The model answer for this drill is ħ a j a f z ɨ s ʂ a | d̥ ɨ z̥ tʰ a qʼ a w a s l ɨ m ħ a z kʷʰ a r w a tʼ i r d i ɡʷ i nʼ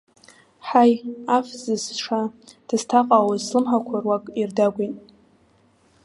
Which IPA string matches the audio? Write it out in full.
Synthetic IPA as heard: ħ a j a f z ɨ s ʂ a | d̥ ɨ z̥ tʰ a qʼ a w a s l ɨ m ħ a kʷʰ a r w a kʼ i r d a ɡʷ i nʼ